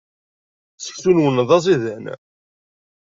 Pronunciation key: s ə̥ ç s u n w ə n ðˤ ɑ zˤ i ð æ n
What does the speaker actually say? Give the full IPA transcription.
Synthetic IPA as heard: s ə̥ ç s u n w ə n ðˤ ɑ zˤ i ð æ n

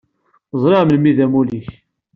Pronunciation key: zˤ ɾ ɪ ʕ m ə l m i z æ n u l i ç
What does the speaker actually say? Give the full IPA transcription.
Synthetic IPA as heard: zˤ ɾ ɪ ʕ m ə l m i ð æ m u l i ç

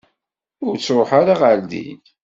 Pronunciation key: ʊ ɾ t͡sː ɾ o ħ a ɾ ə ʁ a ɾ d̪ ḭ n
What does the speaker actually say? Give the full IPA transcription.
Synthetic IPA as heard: ʊ ɾ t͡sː ɾ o ħ a ɾ a ʁ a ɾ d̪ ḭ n

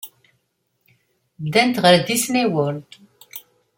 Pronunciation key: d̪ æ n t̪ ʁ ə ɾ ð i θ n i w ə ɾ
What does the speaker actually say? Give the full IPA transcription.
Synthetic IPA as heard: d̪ æ n t̪ ʁ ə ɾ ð i s n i w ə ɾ

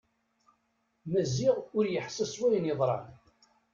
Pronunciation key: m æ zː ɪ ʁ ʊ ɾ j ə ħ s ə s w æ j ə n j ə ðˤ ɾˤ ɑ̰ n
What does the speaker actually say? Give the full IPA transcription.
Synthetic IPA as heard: m æ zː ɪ ʁ ʊ ɾ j ə ħ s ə s w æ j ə n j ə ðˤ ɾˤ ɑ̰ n

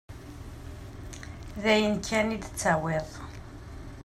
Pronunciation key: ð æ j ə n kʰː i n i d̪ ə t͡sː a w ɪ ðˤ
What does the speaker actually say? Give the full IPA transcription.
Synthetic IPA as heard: ð æ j ə n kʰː æ n i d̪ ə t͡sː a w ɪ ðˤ

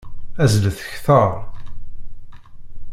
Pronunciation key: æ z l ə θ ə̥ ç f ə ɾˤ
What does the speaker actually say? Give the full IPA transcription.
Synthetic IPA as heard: æ z l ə θ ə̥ ç θ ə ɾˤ

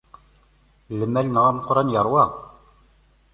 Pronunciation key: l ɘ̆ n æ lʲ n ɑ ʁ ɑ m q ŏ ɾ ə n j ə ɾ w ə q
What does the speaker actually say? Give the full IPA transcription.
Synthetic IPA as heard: l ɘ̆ m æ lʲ n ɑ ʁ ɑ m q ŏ ɾ ɑ n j ɑ ɾ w ɑ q

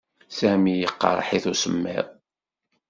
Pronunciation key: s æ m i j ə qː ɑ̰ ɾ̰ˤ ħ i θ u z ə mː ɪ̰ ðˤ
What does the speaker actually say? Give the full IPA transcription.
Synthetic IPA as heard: s æ m i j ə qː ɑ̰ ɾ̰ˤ ħ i θ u s ə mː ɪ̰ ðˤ

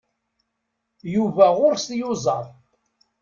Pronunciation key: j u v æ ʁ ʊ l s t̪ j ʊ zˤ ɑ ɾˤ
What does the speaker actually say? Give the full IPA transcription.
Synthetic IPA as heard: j u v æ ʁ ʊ ɾ s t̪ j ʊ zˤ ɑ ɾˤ

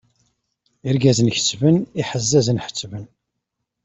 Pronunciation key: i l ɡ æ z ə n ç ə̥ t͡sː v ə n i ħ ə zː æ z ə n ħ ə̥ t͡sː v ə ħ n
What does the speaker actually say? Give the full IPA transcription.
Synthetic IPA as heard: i ɾ ɡ æ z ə n ç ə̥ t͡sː v ə n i ħ ə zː æ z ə n ħ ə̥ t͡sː v ə n

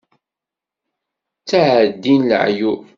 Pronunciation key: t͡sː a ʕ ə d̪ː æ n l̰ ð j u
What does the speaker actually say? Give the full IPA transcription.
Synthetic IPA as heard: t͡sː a ʕ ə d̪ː i n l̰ ʕ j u

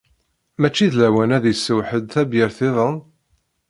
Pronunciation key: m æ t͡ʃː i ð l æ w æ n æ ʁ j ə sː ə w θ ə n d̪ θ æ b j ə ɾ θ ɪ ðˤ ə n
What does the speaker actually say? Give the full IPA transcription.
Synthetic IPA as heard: m æ t͡ʃː i ð l æ w æ n æ ð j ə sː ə w ħ ə d̪ θ æ b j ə ɾ θ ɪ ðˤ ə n

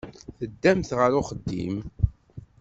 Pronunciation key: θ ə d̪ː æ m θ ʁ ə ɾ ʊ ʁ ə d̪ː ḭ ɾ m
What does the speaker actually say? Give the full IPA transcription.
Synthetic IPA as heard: θ ə d̪ː æ m θ ʁ ə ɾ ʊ χ ə d̪ː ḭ m

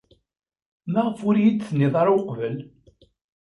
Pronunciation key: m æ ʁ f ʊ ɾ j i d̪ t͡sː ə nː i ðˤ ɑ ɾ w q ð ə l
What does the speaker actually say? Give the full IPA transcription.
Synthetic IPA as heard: m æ ʁ f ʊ ɾ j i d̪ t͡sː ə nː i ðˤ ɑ ɾ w q v ə l

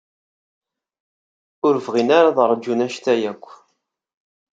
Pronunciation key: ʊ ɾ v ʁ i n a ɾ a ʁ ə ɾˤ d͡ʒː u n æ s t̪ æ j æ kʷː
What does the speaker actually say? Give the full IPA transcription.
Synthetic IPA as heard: ʊ ɾ v ʁ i n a ɾ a ð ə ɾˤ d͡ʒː u n æ ʃ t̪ æ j æ kʷː

